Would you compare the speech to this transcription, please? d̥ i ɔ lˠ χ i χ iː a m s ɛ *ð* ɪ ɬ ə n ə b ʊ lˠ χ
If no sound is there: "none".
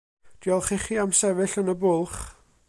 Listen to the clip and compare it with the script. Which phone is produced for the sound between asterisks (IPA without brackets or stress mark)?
v